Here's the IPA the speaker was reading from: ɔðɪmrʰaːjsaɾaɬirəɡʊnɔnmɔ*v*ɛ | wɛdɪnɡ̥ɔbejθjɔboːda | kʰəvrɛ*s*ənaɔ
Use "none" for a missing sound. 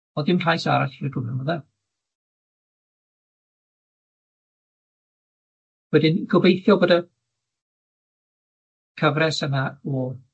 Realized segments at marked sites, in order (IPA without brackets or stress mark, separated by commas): ð, s